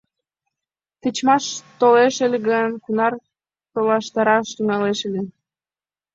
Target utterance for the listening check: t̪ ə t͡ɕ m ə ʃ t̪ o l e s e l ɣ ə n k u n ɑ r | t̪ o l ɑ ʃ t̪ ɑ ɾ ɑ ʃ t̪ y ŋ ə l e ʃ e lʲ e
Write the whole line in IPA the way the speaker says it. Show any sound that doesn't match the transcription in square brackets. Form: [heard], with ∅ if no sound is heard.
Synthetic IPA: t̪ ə t͡ɕ m [ɑ] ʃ t̪ o l e [ʃ] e l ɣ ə n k u n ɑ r | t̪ o l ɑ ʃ t̪ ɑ ɾ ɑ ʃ t̪ y ŋ [ɑ] l e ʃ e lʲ e